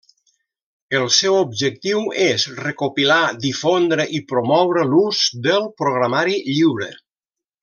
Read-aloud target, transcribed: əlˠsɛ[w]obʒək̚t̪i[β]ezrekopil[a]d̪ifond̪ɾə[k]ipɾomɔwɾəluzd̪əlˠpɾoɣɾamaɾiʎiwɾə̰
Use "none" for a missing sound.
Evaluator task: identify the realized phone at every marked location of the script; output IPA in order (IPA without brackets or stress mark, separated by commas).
w, w, a, ʔ